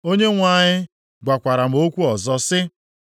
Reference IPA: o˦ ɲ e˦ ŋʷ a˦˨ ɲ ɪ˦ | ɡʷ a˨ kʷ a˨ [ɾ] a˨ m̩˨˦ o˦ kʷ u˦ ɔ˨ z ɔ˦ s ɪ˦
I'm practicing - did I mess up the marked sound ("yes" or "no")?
no